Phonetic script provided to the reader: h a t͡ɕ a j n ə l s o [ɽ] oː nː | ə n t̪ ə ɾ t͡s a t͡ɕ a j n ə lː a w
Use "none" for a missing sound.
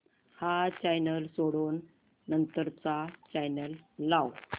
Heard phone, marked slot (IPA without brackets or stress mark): ɽ